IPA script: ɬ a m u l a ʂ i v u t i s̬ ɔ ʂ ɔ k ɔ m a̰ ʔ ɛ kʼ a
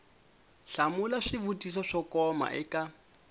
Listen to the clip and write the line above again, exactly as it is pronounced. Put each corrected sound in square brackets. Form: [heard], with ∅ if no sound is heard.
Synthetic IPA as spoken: ɬ a m u l a ʂ i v u t i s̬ ɔ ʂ ɔ k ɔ m a̰ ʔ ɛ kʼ a